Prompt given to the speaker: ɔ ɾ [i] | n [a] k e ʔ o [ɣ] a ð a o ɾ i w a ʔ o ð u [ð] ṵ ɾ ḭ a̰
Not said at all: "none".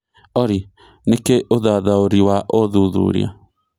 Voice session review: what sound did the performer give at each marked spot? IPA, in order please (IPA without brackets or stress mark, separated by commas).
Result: i, e, ð, ð